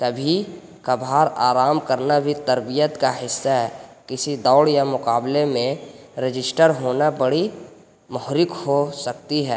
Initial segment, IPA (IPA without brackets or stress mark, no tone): t̪